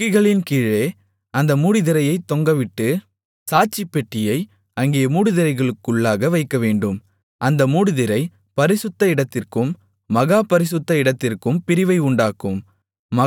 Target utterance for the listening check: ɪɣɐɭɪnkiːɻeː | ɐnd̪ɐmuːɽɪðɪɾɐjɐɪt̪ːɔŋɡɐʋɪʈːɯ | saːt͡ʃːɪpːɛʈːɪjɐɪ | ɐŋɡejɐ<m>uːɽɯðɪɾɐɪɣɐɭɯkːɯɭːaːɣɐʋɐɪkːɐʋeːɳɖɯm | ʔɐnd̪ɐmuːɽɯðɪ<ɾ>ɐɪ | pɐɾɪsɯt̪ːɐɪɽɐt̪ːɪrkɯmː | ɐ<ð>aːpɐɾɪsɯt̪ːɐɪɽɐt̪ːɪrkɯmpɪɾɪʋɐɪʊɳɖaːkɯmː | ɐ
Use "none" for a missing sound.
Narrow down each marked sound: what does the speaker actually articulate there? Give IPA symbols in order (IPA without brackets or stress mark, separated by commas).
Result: m, ɾ, ɣ